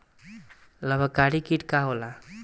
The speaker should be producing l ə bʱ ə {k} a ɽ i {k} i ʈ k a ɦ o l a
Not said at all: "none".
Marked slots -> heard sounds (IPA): k, k

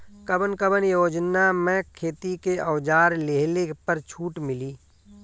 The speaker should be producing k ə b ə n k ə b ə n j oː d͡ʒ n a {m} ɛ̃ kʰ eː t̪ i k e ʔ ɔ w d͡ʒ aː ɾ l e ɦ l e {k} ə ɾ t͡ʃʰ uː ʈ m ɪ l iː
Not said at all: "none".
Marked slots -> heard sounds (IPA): m, p

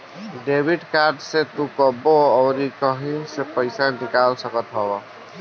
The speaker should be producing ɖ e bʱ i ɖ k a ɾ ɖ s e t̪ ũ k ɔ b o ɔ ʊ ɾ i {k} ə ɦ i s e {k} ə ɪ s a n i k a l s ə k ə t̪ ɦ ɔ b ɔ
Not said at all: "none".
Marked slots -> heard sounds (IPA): k, p

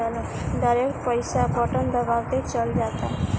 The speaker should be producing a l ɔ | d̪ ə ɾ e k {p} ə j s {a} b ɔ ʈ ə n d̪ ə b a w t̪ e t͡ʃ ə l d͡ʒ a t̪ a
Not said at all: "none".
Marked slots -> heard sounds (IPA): p, a

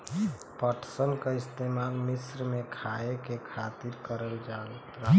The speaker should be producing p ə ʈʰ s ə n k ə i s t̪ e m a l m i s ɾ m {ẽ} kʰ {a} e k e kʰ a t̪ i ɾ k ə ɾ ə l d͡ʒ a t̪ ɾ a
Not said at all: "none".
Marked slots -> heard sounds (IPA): e, a

